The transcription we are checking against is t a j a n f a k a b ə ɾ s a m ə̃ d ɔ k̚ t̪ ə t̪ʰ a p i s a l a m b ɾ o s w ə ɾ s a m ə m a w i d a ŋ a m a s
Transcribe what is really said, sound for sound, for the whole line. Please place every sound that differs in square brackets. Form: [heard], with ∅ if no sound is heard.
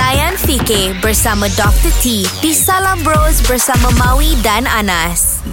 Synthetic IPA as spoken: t a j a n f [i] k [e] b ə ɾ s a m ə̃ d ɔ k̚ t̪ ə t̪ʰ [i] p i s a l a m b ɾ o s [b] ə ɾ s a m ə m a w i d a [n] a [n] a s